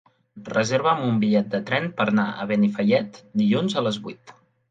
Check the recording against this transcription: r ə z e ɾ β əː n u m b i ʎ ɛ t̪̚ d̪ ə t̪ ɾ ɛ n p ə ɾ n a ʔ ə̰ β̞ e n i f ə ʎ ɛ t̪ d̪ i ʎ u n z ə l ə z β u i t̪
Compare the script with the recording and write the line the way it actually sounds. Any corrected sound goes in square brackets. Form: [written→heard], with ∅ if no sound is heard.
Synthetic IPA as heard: r ə z e ɾ β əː [n→m] u m b i ʎ ɛ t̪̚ d̪ ə t̪ ɾ ɛ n p ə ɾ n a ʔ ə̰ β̞ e n i f ə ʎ ɛ t̪ d̪ i ʎ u n z ə l ə z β u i t̪

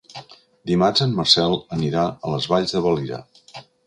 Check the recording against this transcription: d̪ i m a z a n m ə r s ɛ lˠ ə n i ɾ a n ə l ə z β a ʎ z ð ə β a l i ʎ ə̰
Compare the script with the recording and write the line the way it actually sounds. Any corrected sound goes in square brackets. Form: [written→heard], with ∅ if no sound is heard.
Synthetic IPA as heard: d̪ i m a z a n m ə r s ɛ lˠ ə n i ɾ a [n→∅] ə l ə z β a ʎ z ð ə β [a→ə] l i [ʎ→ɾ] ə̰

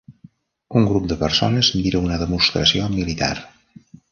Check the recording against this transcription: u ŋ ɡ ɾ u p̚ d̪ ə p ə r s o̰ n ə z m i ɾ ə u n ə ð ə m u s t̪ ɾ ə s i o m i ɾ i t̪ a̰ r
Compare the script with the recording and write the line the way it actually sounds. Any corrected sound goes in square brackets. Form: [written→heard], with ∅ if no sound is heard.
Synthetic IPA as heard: u ŋ ɡ ɾ u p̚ d̪ ə p ə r s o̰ n ə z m i ɾ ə u n ə ð ə m u s t̪ ɾ ə s i o m i [ɾ→l] i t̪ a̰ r

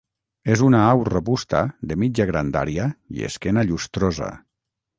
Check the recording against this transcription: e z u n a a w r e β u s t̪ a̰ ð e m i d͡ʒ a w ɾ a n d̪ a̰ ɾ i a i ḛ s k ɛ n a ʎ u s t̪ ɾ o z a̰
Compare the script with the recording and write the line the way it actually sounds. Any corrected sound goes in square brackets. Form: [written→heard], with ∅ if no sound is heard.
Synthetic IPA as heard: e z u n a a w r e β u s t̪ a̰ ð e m i d͡ʒ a [w→ɣ] ɾ a n d̪ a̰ ɾ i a i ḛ s k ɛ n a ʎ u s t̪ ɾ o z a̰

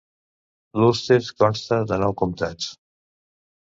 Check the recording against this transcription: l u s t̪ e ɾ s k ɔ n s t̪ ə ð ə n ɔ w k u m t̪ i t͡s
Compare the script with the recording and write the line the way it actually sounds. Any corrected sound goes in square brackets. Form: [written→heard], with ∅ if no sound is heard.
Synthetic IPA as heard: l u s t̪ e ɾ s k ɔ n s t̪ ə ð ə n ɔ w k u m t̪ [i→a] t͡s

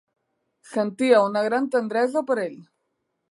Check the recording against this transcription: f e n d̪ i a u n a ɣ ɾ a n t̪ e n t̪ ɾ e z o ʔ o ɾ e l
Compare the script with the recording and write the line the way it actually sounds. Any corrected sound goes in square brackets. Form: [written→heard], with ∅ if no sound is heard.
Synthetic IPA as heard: [f→s] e n [d̪→t̪] i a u n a ɣ ɾ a n t̪ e n [t̪→d̪] ɾ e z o [ʔ→p] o ɾ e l

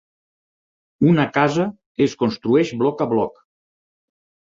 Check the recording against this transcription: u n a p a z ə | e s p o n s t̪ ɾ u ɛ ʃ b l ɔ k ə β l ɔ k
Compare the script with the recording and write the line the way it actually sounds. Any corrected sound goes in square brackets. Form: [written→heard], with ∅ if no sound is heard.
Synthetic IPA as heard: u n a [p→k] a z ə | e s [p→k] o n s t̪ ɾ u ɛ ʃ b l ɔ k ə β l ɔ k

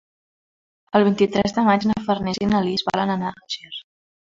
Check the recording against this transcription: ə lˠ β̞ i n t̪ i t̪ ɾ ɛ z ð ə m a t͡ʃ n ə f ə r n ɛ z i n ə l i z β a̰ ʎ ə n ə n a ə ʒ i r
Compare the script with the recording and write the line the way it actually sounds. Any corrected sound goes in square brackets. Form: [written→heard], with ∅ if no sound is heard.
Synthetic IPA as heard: ə lˠ β̞ i n t̪ i t̪ ɾ ɛ z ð ə m a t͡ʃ n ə f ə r n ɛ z i n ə l i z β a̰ [ʎ→l] ə n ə n a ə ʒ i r

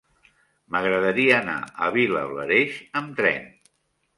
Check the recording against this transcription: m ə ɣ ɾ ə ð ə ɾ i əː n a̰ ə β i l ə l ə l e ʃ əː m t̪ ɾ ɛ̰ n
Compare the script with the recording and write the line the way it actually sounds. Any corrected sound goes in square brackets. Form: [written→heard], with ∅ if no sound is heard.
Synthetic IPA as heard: m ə ɣ ɾ ə ð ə ɾ i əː n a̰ ə β i l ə l ə [l→ɾ] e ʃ [əː→ə] m t̪ ɾ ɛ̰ n

